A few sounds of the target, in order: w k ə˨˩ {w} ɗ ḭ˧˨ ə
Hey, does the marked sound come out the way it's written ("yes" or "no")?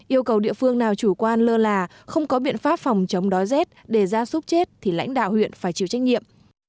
yes